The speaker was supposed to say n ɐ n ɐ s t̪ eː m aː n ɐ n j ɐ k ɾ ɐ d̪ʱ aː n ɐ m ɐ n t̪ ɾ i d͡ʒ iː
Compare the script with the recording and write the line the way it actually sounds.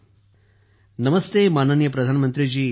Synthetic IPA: n ɐ m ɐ s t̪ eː m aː n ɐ n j ɐ p ɾ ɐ d̪ʱ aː n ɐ m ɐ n t̪ ɾ i d͡ʒ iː